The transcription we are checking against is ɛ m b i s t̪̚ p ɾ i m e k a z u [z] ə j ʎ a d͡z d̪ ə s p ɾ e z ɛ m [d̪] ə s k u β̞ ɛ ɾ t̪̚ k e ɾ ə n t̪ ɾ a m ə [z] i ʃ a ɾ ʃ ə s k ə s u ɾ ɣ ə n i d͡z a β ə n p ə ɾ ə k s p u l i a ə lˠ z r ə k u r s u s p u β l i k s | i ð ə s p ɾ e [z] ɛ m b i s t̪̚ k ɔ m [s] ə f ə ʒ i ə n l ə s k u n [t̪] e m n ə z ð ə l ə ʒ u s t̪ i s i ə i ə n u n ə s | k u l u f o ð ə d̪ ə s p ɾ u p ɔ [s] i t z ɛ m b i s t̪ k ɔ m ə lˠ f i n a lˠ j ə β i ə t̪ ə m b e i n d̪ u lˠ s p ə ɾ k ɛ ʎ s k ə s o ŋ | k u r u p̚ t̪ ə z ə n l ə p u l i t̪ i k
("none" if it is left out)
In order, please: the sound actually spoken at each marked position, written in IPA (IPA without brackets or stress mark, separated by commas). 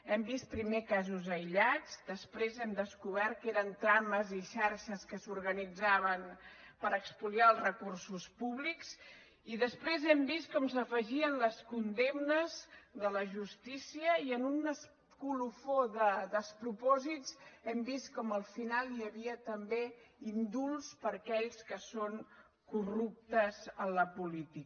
z, d̪, z, z, s, d̪, z